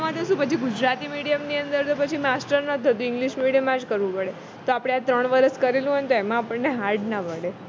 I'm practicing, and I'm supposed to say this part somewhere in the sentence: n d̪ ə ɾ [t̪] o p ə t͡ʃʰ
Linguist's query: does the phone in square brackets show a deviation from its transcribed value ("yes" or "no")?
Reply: no